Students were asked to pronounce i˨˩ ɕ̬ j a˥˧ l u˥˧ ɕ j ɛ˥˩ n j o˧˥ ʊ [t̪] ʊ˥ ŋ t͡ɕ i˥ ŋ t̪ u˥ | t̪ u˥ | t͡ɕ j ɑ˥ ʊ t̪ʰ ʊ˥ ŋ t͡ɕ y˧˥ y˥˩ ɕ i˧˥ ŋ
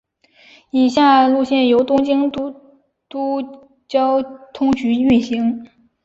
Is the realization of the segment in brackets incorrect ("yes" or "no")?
no